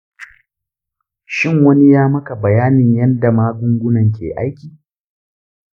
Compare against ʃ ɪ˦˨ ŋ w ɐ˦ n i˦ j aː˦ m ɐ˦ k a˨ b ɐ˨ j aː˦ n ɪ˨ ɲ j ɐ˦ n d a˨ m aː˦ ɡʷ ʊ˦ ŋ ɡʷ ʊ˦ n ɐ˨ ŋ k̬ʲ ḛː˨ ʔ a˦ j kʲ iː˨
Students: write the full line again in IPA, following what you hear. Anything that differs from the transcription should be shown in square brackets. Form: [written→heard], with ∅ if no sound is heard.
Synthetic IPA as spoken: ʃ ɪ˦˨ ŋ w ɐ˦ n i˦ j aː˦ m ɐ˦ k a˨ b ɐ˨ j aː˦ n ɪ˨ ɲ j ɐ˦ n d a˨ m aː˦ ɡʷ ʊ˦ ŋ ɡʷ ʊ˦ n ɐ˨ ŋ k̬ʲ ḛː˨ ʔ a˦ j kʲ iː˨